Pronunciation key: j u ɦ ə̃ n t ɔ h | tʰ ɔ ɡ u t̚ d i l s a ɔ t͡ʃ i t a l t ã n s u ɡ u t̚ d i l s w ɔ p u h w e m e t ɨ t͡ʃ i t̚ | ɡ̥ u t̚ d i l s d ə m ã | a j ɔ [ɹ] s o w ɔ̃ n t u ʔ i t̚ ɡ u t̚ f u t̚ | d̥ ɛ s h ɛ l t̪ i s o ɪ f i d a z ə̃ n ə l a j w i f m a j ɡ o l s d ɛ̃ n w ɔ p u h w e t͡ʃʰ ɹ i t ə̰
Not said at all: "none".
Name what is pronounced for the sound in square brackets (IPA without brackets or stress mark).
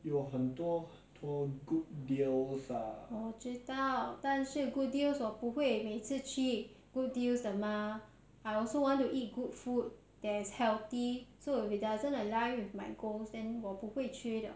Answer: l